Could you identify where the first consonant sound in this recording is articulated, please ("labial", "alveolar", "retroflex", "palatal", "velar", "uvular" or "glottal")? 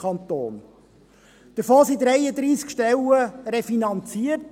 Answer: alveolar